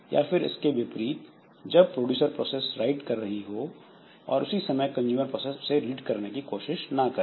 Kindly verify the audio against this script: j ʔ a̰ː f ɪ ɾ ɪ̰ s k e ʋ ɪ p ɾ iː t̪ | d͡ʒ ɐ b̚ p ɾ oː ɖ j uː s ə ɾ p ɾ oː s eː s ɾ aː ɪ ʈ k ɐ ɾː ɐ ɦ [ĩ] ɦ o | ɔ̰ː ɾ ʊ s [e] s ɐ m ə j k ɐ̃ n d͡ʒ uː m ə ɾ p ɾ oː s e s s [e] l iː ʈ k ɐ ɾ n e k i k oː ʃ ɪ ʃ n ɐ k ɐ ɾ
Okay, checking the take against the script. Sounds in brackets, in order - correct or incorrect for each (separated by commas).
incorrect, incorrect, correct